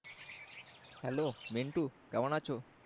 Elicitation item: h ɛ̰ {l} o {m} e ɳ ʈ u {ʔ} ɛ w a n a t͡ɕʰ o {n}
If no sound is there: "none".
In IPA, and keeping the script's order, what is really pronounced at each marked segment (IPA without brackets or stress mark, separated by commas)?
l, m, k, none